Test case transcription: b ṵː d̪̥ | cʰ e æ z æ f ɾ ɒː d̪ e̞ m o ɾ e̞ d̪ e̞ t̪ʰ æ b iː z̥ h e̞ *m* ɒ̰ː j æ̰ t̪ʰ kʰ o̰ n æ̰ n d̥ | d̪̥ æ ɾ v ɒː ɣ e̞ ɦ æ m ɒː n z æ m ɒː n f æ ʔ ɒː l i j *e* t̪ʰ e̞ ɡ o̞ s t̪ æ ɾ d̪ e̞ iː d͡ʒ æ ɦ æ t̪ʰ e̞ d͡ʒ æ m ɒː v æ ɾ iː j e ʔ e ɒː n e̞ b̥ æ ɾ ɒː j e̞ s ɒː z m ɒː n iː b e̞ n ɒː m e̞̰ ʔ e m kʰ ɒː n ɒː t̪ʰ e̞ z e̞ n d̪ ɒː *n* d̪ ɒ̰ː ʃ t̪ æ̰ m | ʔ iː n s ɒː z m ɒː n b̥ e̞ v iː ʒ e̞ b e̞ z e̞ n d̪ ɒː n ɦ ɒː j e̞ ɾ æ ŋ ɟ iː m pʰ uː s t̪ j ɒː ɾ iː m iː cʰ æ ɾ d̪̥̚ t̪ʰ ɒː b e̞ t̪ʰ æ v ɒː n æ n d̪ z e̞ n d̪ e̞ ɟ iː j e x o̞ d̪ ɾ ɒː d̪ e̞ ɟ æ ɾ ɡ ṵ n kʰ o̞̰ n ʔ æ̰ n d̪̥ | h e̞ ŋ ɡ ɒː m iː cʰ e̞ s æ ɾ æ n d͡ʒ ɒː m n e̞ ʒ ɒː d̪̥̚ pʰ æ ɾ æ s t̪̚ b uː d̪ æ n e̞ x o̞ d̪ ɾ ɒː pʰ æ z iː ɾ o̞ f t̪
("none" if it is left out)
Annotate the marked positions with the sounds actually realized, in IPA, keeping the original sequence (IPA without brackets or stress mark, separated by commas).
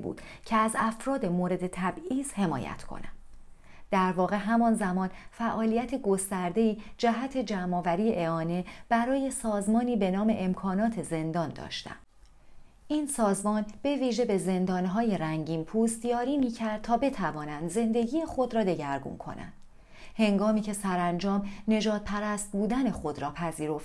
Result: m, æ, n